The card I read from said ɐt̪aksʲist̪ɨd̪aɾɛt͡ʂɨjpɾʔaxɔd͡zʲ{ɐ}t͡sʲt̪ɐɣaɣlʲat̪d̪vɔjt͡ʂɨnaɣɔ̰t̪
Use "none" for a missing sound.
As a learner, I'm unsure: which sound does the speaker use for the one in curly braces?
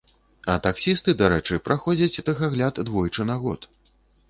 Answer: ɐ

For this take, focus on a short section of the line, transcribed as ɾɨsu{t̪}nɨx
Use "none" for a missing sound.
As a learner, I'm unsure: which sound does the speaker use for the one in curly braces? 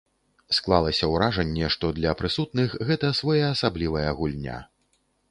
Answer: t̪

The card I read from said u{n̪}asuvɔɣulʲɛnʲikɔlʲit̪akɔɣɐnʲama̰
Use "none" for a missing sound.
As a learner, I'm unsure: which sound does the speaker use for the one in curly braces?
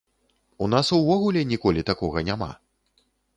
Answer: n̪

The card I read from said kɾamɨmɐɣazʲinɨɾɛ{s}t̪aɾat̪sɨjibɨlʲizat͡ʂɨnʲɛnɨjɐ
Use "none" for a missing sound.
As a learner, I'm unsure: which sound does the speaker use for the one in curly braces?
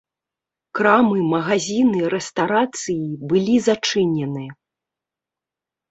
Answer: s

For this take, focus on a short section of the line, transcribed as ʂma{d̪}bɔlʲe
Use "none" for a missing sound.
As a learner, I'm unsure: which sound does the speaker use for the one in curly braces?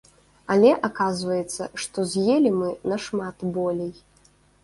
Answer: t̪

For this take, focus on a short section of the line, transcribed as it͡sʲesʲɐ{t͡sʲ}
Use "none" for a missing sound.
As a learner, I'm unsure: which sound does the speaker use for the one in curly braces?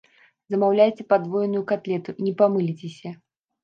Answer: none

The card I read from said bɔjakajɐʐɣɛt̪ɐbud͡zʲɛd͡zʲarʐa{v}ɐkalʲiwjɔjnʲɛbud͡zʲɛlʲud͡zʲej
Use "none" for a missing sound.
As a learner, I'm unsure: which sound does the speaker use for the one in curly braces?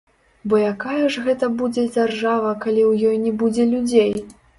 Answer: v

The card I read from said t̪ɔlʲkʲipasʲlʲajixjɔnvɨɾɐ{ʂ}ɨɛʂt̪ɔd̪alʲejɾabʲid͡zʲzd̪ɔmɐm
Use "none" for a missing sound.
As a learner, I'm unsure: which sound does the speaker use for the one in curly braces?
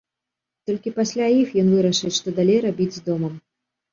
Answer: ʂ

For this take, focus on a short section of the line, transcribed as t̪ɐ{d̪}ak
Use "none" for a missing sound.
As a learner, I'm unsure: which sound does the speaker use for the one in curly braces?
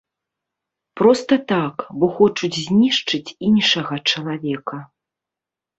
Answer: t̪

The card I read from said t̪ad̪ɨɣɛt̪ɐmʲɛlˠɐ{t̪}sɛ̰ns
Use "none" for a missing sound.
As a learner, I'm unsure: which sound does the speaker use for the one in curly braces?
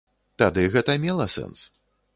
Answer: none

